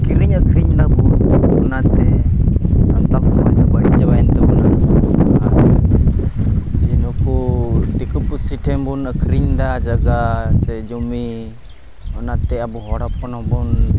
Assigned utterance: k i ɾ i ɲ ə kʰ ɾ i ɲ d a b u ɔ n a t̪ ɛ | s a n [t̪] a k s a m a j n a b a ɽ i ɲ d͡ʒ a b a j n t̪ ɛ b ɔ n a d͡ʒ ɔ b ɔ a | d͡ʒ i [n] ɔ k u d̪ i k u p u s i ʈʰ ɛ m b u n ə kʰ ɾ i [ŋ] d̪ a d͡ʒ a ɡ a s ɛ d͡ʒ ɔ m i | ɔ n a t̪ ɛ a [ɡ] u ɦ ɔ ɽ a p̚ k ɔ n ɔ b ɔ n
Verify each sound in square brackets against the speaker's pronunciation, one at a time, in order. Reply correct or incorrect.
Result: correct, correct, incorrect, incorrect

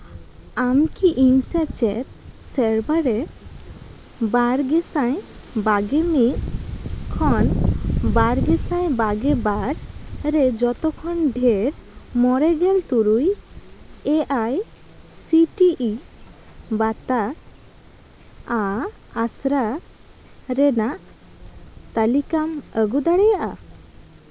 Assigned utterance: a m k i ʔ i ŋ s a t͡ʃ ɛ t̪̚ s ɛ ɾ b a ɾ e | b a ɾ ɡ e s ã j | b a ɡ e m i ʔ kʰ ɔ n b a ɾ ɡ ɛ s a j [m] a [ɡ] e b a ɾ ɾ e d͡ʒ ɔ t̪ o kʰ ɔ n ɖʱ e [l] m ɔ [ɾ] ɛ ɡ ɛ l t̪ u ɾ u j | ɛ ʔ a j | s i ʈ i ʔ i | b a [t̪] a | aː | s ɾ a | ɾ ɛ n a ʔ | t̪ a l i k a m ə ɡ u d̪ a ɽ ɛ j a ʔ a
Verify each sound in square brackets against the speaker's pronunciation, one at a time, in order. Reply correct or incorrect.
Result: incorrect, correct, incorrect, correct, correct

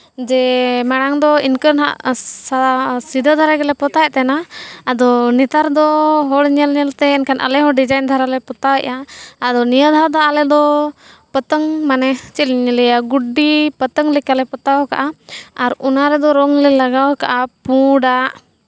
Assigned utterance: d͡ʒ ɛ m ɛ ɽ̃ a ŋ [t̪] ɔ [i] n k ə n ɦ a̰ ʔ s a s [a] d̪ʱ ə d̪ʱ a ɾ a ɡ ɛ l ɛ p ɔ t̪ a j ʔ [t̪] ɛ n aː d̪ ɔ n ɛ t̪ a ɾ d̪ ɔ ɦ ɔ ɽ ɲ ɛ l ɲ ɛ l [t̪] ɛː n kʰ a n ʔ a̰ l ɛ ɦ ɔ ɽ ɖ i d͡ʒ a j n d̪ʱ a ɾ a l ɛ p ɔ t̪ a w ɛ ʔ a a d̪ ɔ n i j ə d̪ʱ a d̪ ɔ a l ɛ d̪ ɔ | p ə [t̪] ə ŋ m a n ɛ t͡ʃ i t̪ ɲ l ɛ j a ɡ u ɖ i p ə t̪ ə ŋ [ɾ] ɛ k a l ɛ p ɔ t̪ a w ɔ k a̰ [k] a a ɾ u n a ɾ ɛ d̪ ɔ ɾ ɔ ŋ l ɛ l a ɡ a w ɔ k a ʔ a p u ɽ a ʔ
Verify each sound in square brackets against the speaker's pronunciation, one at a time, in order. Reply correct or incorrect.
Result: incorrect, correct, incorrect, correct, correct, correct, incorrect, incorrect

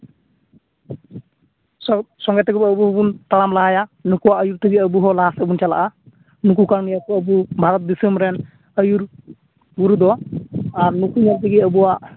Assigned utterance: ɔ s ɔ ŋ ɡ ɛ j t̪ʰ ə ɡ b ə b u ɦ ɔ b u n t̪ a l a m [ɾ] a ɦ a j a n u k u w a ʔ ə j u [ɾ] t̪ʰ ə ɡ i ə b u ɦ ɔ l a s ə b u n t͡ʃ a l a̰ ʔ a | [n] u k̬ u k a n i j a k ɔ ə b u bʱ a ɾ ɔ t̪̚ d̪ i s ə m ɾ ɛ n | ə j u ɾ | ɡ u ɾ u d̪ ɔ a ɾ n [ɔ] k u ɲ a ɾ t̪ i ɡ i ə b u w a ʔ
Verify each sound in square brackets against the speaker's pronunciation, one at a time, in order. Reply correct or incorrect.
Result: incorrect, correct, correct, incorrect

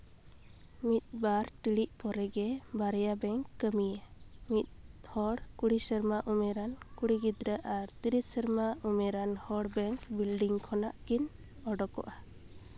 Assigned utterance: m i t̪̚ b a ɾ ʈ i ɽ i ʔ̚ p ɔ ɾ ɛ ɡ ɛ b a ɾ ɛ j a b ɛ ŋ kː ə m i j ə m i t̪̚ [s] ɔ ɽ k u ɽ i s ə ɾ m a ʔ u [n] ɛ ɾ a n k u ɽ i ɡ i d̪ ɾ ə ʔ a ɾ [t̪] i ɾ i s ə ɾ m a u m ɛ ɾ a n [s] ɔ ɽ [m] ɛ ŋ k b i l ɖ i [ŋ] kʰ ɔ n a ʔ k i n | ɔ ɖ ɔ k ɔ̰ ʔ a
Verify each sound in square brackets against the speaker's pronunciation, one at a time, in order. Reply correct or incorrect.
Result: incorrect, incorrect, correct, incorrect, incorrect, correct

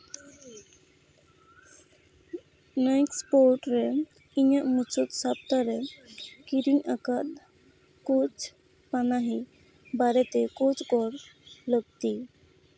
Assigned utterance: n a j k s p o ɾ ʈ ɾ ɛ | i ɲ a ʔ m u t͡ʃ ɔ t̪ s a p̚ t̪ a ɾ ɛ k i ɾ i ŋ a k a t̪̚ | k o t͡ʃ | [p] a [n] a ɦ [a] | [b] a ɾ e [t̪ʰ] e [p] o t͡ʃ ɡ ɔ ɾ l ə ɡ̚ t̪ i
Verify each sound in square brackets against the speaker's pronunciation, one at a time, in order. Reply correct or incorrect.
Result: correct, correct, incorrect, correct, incorrect, incorrect

